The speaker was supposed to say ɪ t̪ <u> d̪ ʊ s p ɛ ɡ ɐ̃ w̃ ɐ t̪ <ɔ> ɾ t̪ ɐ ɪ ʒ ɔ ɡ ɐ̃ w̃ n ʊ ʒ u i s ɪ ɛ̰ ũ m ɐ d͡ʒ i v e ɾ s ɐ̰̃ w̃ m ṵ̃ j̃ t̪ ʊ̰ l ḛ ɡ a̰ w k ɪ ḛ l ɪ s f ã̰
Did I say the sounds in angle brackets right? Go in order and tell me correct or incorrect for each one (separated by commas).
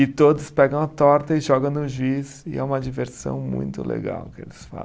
incorrect, correct